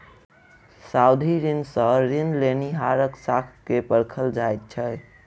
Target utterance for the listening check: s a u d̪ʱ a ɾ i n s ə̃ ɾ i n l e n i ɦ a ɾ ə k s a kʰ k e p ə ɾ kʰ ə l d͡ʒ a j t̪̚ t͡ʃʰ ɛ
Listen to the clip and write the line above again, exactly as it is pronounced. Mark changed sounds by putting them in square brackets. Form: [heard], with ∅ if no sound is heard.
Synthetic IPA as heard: s a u d̪ʱ [i] ɾ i n s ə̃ ɾ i n l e n i ɦ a ɾ ə k s a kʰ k e p ə ɾ kʰ ə l d͡ʒ a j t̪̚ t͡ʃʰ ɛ